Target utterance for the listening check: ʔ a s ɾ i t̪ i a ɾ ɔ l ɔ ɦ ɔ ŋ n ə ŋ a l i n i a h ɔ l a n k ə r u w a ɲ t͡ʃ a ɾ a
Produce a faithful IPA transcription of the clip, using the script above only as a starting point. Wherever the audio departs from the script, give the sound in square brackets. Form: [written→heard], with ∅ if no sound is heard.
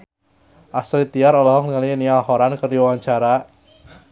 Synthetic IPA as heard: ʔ a s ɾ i t̪ i a ɾ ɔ l ɔ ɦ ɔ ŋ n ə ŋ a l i n i a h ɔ [l→ɾ] a n k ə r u w a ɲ t͡ʃ a ɾ a